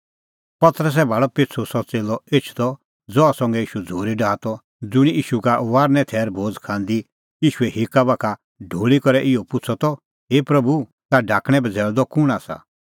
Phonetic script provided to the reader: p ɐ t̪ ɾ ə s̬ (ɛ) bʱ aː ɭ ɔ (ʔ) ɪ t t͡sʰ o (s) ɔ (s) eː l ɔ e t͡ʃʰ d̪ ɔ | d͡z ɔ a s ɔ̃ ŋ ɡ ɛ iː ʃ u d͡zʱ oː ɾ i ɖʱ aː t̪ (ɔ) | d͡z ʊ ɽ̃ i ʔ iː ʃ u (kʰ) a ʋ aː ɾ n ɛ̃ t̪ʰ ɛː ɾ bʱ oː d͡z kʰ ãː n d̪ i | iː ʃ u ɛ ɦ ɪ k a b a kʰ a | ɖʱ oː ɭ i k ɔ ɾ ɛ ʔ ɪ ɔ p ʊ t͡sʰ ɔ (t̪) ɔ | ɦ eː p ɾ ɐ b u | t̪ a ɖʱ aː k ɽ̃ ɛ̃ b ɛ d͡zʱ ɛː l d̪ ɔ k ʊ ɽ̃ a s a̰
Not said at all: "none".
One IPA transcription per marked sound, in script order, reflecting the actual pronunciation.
ɛ, p, s, t͡s, ɔ, k, t̪

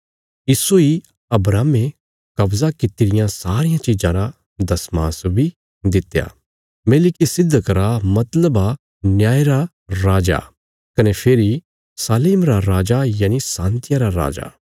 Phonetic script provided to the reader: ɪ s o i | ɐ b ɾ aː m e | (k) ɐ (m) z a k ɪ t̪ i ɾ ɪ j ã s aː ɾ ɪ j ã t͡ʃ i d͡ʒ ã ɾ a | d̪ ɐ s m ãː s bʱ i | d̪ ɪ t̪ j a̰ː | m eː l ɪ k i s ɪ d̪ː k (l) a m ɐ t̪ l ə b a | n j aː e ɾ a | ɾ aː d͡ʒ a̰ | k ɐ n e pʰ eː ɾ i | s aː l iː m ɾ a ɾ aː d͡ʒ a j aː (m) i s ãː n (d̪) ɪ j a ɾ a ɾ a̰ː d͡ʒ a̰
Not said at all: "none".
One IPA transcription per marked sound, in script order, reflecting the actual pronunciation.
k, b, ɾ, n, t̪

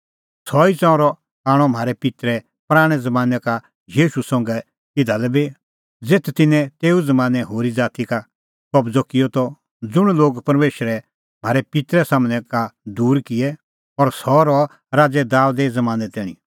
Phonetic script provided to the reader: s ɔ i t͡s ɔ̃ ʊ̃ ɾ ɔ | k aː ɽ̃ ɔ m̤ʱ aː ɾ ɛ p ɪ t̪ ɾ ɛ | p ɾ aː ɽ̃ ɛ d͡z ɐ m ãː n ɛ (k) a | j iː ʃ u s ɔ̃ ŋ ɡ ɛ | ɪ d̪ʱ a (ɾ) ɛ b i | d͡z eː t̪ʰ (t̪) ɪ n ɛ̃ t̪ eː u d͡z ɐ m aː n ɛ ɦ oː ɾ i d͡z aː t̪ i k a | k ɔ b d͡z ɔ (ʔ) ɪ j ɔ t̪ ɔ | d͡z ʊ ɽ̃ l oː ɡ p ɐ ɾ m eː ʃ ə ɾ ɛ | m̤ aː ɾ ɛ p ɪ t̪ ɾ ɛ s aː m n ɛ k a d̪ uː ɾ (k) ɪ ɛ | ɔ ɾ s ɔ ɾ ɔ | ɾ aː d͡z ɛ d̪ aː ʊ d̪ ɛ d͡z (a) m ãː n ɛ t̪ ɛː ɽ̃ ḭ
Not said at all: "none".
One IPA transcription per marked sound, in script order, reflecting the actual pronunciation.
k, l, t̪, k, k, ɐ

